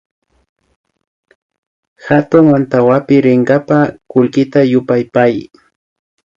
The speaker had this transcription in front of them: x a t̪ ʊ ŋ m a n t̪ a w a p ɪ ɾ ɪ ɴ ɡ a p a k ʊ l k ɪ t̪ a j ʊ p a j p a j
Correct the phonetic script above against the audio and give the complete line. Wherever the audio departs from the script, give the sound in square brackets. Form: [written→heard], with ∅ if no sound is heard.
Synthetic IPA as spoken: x a t̪ ʊ ŋ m a n t̪ a w a p ɪ ɾ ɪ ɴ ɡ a p a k ʊ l k ɪ t̪ a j ʊ p a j p a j